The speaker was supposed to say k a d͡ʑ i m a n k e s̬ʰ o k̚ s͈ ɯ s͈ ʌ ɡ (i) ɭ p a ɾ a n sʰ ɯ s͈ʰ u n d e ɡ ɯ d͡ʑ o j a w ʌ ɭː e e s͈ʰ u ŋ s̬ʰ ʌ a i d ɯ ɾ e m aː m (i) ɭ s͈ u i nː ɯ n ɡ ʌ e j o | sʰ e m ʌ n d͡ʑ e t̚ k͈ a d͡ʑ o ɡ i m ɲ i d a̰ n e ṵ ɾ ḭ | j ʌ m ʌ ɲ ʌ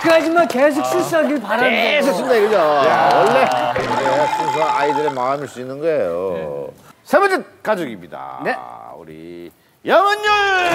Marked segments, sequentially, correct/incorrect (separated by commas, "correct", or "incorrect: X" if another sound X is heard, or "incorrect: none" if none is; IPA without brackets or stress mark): correct, correct